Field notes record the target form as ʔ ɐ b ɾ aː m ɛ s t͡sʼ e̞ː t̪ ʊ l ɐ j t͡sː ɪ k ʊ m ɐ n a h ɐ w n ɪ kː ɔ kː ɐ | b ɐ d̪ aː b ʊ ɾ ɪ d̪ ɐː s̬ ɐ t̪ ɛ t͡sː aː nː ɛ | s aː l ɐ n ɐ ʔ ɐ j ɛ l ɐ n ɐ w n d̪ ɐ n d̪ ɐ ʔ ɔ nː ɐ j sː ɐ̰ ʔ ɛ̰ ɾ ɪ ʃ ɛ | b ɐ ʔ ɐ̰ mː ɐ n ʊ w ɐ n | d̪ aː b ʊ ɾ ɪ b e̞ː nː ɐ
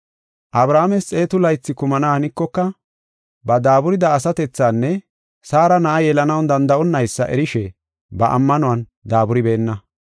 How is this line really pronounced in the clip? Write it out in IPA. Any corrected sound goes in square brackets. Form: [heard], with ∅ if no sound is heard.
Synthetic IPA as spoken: ʔ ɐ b ɾ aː m ɛ s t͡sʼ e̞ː t̪ ʊ l ɐ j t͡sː ɪ k ʊ m ɐ n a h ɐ [∅] n ɪ kː ɔ kː ɐ | b ɐ d̪ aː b ʊ ɾ ɪ d̪ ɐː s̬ ɐ t̪ ɛ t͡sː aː nː ɛ | s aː [ɾ] ɐ n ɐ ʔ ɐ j ɛ l ɐ n ɐ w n d̪ ɐ n d̪ ɐ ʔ ɔ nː ɐ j sː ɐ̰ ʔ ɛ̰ ɾ ɪ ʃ ɛ | b ɐ ʔ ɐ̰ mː ɐ n ʊ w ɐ n | d̪ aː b ʊ ɾ ɪ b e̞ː nː ɐ